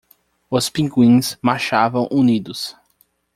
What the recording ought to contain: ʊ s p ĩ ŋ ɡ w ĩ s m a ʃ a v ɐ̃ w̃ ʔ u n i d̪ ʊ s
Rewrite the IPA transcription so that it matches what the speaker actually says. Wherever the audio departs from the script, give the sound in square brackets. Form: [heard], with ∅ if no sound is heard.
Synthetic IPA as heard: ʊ s p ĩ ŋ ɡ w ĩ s m a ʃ a v ɐ̃ w̃ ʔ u n i d̪ ʊ s